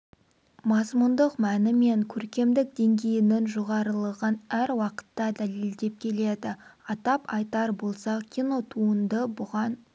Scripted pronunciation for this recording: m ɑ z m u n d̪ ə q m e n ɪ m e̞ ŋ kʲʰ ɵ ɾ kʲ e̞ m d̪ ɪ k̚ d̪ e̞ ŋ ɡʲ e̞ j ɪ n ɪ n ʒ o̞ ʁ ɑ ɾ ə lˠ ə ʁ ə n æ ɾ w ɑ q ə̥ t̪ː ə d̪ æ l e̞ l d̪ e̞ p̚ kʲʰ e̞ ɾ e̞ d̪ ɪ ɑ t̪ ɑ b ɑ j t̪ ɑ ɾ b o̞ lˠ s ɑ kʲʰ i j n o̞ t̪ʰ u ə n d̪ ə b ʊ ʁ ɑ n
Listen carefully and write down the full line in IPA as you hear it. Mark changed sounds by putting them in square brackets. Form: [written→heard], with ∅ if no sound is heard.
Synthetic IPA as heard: m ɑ z m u n d̪ ə q m [e→æ] n ɪ m e̞ ŋ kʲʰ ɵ ɾ kʲ e̞ m d̪ ɪ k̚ d̪ e̞ ŋ ɡʲ e̞ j ɪ n ɪ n ʒ o̞ ʁ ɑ ɾ ə lˠ ə ʁ ə n æ ɾ w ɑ q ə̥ t̪ː [ə→ɑ] d̪ æ l e̞ l d̪ e̞ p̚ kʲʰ e̞ [ɾ→l] e̞ d̪ ɪ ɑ t̪ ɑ [b→p] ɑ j t̪ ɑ ɾ b o̞ lˠ s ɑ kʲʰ i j n o̞ t̪ʰ u ə n d̪ ə b ʊ ʁ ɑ n

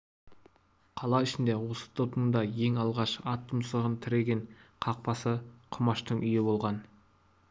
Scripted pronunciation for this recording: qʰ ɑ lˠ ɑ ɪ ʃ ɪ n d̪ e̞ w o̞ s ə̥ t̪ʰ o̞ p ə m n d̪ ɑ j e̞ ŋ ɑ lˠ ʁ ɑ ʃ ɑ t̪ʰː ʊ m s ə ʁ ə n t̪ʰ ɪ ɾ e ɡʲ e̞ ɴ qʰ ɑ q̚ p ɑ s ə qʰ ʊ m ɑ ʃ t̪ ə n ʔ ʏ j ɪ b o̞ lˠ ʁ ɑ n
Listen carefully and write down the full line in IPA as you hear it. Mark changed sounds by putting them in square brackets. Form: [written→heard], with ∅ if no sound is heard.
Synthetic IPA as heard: qʰ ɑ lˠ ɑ ɪ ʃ ɪ n d̪ e̞ w o̞ s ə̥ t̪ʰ o̞ p ə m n d̪ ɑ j e̞ ŋ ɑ lˠ ʁ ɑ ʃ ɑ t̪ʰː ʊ m s ə ʁ ə n t̪ʰ ɪ ɾ e ɡʲ e̞ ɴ qʰ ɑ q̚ p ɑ s ə qʰ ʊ m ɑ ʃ t̪ ə [n→ɴ] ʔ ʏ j ɪ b o̞ lˠ ʁ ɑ n

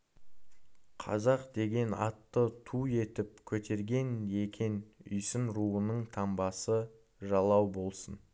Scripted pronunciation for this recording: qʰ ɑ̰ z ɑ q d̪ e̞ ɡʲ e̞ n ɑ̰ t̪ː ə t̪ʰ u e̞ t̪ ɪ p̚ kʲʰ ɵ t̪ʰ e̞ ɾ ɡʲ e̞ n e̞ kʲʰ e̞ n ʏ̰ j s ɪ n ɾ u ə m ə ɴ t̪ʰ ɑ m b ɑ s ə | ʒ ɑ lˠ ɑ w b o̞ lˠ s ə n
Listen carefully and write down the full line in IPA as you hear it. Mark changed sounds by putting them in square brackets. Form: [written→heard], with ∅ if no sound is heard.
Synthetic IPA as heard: qʰ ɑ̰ z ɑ q d̪ e̞ ɡʲ e̞ n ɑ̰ t̪ː ə t̪ʰ u e̞ t̪ ɪ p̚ kʲʰ ɵ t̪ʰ e̞ ɾ ɡʲ e̞ n e̞ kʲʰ e̞ n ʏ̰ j s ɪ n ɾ u ə [m→n] ə ɴ t̪ʰ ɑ m b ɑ s ə | ʒ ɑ lˠ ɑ w b o̞ lˠ s ə n

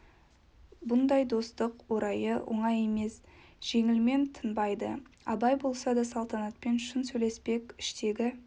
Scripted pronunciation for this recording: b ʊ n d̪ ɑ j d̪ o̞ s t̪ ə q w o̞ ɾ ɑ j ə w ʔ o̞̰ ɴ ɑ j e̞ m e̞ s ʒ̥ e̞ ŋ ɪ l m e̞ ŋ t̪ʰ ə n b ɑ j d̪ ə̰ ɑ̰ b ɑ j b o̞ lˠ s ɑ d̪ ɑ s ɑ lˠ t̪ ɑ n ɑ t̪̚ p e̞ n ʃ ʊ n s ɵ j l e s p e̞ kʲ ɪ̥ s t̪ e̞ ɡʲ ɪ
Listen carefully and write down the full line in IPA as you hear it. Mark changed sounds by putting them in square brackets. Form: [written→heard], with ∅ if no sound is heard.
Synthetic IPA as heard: b ʊ n d̪ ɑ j d̪ o̞ s t̪ ə q w o̞ ɾ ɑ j ə w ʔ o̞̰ ɴ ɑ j e̞ m e̞ s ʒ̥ e̞ ŋ ɪ l m e̞ [ŋ→n] t̪ʰ ə n b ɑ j d̪ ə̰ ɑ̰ b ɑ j b o̞ lˠ s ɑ d̪ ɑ s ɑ lˠ t̪ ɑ n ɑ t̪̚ p e̞ n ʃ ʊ n s ɵ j l e s p e̞ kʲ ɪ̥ [s→ʃ] t̪ e̞ ɡʲ ɪ

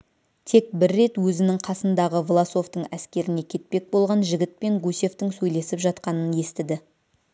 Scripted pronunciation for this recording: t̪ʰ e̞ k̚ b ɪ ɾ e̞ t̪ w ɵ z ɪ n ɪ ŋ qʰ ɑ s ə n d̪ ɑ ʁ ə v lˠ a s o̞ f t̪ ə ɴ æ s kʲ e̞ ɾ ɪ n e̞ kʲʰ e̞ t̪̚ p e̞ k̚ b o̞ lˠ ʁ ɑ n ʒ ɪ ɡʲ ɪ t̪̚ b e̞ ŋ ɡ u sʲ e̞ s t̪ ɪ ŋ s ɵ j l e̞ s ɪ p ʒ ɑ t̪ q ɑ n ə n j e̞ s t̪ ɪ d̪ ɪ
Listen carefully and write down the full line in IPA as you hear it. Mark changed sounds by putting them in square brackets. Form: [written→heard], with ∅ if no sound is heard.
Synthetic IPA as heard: t̪ʰ e̞ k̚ b ɪ [ɾ→ɾː] e̞ t̪ w ɵ z ɪ n ɪ ŋ qʰ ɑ s ə n d̪ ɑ ʁ ə v lˠ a s o̞ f t̪ ə ɴ æ s kʲ e̞ ɾ ɪ n e̞ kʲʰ e̞ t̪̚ p e̞ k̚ b o̞ lˠ ʁ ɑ n ʒ ɪ ɡʲ ɪ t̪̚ [b→p] e̞ ŋ ɡ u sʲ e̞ [s→f] t̪ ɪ ŋ s ɵ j l e̞ s ɪ p ʒ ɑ t̪ q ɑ n ə n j e̞ s t̪ ɪ d̪ ɪ

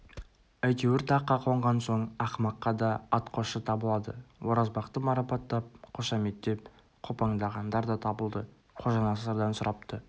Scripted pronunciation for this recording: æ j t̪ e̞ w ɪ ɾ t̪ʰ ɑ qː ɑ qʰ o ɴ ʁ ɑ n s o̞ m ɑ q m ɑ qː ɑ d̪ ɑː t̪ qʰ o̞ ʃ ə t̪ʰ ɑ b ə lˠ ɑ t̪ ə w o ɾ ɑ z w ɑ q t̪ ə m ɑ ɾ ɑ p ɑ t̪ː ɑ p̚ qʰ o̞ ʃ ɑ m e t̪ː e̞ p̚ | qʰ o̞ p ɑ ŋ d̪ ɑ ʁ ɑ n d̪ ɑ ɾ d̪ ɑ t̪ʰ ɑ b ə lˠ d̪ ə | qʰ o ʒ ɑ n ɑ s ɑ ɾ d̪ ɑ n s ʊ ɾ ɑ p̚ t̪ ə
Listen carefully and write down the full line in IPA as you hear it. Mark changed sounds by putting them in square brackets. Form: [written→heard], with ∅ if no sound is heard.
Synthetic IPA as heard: æ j t̪ e̞ w ɪ ɾ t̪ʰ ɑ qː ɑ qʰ o ɴ ʁ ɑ n s o̞ [m→ɴ] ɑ q m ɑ qː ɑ d̪ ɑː t̪ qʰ o̞ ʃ ə t̪ʰ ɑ b ə lˠ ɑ [t̪→d̪] ə w o ɾ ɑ z [w→b] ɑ q t̪ ə m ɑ ɾ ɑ p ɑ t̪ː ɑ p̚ qʰ o̞ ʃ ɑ m e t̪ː e̞ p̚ | qʰ o̞ p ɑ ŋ d̪ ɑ ʁ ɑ n d̪ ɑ ɾ d̪ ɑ t̪ʰ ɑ b ə lˠ d̪ ə | qʰ o ʒ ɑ n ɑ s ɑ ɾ d̪ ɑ n s ʊ ɾ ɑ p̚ t̪ ə

